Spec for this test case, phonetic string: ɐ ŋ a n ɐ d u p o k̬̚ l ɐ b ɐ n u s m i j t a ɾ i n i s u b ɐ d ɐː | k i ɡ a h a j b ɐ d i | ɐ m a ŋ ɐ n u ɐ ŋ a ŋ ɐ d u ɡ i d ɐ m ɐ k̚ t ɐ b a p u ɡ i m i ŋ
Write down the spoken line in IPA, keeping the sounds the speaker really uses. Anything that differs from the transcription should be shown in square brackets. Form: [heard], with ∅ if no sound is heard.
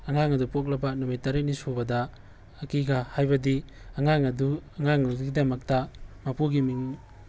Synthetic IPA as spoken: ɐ ŋ a [ŋ] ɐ d u p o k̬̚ l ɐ b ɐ n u [∅] m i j t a ɾ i n i s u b ɐ d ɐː | k i ɡ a h a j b ɐ d i | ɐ [ŋ] a ŋ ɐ [d] u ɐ ŋ a ŋ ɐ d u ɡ i d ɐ m ɐ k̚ t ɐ [m] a p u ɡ i m i ŋ